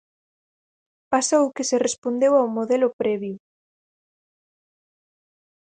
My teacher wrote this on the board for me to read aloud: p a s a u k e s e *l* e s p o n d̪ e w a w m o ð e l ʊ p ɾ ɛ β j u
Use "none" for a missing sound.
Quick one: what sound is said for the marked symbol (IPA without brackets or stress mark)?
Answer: r